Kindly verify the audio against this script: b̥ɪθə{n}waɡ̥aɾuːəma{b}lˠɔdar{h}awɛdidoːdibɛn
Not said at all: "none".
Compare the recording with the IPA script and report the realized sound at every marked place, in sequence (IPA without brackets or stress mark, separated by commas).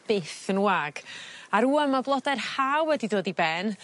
n, b, h